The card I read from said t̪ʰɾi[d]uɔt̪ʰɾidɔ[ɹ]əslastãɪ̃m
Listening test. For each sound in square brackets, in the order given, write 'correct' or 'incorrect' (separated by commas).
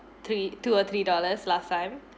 incorrect, incorrect